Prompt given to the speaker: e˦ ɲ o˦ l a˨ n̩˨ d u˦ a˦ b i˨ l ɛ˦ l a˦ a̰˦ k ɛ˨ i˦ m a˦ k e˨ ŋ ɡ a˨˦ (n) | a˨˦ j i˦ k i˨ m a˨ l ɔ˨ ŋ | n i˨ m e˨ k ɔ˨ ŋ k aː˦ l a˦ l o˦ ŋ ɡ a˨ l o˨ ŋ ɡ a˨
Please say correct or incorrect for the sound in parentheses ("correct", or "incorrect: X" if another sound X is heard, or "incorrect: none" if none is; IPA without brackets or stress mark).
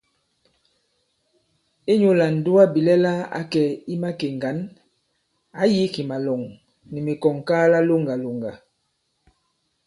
correct